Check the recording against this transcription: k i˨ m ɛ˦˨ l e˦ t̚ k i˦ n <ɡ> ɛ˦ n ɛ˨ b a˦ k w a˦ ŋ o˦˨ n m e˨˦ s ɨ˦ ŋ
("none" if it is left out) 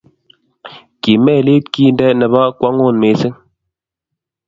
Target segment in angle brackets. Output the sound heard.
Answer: d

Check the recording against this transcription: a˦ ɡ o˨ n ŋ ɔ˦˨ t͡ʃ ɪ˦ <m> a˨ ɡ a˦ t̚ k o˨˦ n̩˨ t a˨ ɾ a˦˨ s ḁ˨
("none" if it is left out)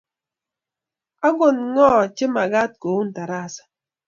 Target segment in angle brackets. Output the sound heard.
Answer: m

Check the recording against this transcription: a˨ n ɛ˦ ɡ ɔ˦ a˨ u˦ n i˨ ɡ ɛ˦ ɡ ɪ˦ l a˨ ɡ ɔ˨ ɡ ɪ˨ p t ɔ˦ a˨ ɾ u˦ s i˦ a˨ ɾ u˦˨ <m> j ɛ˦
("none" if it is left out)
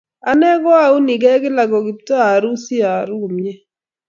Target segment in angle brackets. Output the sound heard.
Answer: m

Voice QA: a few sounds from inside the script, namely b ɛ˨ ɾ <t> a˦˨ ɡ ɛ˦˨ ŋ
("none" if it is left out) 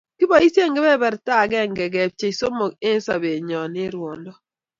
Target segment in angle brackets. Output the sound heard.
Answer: t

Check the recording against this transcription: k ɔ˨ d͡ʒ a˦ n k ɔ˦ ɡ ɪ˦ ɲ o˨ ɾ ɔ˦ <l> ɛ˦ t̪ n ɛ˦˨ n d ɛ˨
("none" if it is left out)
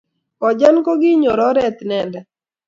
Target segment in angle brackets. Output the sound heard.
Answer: ɾ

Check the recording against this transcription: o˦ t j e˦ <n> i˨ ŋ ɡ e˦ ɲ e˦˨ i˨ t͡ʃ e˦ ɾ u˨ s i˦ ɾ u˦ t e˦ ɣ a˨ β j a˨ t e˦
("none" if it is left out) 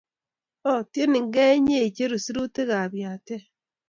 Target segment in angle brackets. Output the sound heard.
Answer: n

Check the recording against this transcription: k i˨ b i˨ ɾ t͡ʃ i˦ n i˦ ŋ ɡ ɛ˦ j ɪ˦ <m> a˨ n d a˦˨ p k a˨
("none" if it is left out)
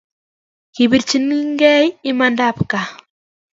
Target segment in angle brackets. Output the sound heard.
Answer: m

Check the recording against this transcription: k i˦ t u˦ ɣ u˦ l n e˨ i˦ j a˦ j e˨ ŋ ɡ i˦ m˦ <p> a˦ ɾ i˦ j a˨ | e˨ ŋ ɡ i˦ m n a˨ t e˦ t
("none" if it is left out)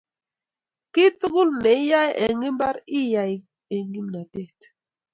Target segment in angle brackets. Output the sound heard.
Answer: b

